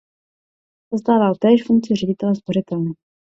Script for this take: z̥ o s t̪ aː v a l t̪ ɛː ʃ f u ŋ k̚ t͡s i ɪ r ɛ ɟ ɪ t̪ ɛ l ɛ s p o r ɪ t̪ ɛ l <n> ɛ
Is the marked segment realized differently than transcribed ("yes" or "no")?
no